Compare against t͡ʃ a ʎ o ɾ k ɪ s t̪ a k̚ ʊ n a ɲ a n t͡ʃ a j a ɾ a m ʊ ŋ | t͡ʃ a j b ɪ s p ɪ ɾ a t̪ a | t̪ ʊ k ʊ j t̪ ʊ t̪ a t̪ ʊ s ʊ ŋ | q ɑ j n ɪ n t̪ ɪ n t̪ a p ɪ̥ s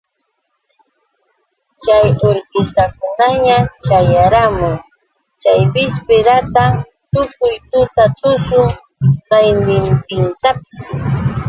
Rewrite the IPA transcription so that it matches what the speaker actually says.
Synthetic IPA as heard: t͡ʃ a j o ɾ k ɪ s t̪ a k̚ ʊ n a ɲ a t͡ʃ a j a ɾ a m ʊ ŋ | t͡ʃ a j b ɪ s p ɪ ɾ a t̪ a | t̪ ʊ k ʊ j t̪ ʊ t̪ a t̪ ʊ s ʊ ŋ | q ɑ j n ɪ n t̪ ɪ n t̪ a p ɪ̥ s